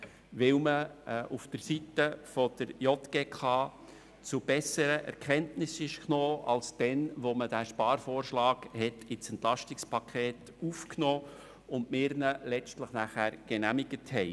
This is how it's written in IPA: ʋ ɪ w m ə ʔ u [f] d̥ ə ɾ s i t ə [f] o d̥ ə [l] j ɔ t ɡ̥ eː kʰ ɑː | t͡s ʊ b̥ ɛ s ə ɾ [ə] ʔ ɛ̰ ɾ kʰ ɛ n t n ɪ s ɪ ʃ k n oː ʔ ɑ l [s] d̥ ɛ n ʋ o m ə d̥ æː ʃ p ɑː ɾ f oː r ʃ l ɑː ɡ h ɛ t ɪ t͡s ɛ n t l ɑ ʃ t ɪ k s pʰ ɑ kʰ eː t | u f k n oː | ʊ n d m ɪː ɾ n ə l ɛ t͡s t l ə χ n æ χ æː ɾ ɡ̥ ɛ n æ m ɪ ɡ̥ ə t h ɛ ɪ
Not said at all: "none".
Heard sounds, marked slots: f, f, ɾ, ə, s

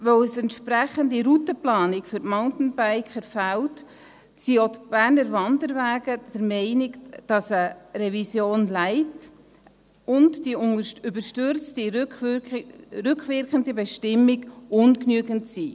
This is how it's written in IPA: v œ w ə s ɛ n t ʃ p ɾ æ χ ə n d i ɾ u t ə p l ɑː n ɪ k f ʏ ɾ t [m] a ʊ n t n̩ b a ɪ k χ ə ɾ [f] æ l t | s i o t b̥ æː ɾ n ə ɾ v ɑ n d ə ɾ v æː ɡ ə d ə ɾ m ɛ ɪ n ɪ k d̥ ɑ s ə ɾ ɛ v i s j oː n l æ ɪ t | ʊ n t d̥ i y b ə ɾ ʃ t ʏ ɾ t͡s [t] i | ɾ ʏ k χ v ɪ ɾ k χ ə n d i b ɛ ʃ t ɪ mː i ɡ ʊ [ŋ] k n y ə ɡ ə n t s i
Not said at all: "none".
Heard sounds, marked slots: m, f, t, n

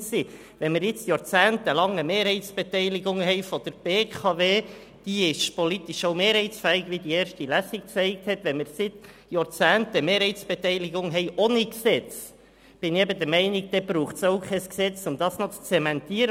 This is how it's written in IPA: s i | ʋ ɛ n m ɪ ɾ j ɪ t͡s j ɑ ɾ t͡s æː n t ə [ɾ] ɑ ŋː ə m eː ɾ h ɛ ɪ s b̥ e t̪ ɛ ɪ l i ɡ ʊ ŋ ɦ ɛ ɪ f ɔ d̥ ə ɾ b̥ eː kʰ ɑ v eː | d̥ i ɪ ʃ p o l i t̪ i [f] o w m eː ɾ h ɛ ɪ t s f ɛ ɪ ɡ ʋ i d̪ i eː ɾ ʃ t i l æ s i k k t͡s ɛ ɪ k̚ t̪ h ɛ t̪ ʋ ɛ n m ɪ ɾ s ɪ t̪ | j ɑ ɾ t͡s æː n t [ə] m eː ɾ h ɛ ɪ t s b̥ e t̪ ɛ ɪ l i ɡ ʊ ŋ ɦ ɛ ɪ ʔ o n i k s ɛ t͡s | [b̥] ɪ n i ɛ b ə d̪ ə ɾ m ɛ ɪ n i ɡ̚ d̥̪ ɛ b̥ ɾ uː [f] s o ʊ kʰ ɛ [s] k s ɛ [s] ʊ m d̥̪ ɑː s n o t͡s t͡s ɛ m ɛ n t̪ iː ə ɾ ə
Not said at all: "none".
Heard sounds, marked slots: l, ʃ, ə, b̥, χ, s, t͡s

